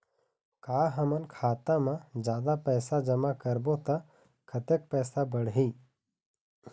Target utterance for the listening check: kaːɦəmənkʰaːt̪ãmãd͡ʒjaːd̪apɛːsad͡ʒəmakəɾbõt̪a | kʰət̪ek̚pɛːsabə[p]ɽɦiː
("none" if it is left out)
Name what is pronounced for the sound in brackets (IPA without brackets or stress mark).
none